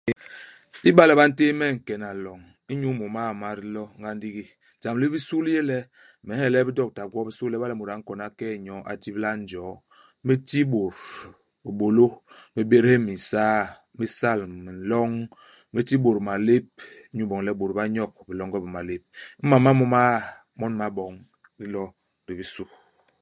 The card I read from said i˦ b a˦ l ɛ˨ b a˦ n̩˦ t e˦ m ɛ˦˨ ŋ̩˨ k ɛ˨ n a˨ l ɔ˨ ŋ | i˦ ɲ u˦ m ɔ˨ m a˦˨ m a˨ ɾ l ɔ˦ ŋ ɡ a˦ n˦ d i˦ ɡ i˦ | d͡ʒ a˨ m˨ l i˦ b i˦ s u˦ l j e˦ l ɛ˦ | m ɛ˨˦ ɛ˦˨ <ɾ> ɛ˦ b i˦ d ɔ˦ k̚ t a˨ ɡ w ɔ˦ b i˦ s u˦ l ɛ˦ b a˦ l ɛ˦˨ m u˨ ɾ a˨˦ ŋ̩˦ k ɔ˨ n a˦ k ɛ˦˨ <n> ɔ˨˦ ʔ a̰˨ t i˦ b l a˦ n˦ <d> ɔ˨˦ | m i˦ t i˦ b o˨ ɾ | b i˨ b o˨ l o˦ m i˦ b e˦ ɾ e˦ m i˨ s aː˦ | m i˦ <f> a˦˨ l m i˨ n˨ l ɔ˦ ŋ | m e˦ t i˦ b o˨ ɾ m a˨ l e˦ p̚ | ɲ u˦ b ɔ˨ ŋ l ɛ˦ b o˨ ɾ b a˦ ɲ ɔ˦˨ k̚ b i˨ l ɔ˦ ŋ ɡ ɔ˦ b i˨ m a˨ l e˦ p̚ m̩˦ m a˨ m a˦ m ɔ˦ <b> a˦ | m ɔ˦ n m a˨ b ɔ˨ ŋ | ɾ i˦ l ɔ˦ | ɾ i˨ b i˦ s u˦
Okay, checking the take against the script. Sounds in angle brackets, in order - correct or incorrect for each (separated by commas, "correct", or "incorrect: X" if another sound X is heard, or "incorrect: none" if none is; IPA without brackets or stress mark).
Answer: incorrect: l, incorrect: ɲ, incorrect: d͡ʒ, incorrect: s, incorrect: m